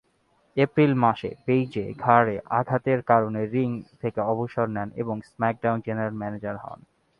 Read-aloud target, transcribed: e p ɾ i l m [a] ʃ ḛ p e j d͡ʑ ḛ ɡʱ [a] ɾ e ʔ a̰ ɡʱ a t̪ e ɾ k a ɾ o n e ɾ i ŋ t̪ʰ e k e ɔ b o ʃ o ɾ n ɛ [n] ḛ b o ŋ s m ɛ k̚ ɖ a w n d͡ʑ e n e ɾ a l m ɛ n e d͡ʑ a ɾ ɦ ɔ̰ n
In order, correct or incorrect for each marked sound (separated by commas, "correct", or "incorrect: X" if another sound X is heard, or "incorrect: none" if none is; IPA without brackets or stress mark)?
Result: correct, correct, correct